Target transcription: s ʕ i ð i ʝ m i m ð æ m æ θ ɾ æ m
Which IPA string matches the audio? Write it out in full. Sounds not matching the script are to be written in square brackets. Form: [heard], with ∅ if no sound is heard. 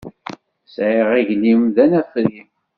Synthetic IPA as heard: s ʕ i [ʁ] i ʝ [n] i m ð æ [n] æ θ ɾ [i] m

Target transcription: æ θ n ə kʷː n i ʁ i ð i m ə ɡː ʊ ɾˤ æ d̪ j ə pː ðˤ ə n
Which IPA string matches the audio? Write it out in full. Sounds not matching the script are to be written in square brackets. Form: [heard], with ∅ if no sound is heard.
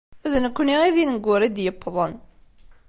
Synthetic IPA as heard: æ [ð] n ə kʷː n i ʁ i ð i [n] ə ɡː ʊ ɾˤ [i] d̪ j ə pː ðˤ ə n

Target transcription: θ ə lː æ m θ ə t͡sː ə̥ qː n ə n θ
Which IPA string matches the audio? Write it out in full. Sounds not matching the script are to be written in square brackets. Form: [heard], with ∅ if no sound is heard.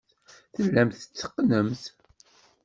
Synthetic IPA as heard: θ ə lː æ m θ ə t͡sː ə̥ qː n ə [m] θ

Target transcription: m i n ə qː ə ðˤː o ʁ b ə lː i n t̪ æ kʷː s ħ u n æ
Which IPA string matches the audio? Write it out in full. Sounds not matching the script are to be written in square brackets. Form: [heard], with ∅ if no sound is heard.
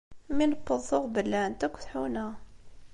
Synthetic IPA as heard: m i n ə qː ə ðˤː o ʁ b ə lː [æ] n t̪ æ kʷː [θ] ħ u n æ

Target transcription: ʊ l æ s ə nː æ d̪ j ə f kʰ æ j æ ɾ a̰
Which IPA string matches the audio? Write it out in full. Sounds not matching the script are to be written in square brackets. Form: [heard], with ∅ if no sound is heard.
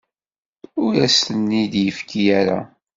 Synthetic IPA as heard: ʊ [ɾ] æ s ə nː [i] d̪ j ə f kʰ [i] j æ ɾ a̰

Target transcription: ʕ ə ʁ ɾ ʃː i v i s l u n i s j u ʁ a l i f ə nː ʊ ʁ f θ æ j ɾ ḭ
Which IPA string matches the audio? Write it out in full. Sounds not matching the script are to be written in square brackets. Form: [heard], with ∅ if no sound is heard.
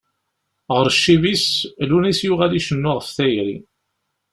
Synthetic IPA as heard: [ʁ] ə [∅] ɾ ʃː i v i s l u n i s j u ʁ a l i [ʃ] ə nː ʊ ʁ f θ æ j ɾ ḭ

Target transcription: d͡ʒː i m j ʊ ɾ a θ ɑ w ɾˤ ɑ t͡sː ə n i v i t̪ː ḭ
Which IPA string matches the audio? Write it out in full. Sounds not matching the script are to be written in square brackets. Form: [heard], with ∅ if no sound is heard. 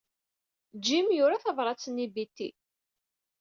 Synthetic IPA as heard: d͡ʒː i m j ʊ ɾ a θ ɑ [v] ɾˤ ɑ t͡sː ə n i [b] i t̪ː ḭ

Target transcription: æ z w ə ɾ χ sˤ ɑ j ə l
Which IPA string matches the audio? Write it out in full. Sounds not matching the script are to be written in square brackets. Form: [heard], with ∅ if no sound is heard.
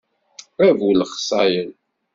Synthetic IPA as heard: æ [v] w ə [l] χ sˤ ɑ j ə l

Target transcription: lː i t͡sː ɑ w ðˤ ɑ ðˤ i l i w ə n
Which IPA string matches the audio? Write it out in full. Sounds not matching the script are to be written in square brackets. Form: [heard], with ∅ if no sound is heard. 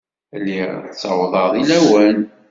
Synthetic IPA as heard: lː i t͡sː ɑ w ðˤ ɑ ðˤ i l [æ] w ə n

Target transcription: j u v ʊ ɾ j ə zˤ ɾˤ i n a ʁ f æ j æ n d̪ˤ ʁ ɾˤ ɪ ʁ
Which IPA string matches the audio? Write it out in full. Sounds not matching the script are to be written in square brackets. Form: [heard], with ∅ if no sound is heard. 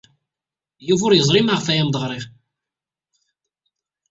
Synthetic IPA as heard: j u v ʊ ɾ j ə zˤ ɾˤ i [m] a ʁ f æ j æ [m] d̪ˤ ʁ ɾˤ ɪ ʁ

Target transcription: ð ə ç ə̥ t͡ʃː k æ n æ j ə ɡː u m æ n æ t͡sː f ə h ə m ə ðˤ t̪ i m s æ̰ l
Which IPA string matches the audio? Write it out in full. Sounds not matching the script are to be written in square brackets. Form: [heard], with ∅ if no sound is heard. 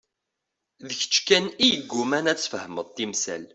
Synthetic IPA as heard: ð ə ç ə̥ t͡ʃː k æ n [i] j ə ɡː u m æ n æ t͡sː f ə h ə m ə ðˤ t̪ i m s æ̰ l

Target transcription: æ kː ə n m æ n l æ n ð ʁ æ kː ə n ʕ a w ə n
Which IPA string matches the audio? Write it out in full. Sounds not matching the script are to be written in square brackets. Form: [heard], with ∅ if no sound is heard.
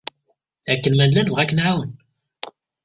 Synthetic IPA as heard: æ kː ə n m æ n l æ n [v] ʁ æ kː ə n ʕ a w ə n

